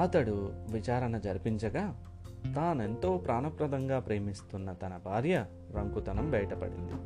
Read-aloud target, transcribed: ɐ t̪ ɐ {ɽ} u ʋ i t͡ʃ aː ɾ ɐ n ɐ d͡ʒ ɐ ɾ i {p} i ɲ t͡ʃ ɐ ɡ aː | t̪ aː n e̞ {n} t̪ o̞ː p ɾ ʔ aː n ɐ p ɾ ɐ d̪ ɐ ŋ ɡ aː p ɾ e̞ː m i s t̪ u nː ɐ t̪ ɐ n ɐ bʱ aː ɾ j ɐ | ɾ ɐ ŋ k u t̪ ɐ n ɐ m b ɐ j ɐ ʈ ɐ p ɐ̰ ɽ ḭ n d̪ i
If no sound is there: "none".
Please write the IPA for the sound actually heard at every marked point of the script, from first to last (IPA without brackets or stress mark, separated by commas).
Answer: ɽ, p, n